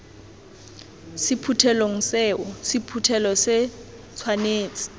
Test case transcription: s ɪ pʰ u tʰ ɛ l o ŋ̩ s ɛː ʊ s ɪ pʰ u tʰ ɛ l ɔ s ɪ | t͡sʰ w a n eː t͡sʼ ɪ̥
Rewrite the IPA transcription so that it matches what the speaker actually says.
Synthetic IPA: s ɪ pʰ u tʰ ɛ l o ŋ̩ s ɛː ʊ s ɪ pʰ u tʰ ɛ l ɔ s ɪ | t͡sʰ w a n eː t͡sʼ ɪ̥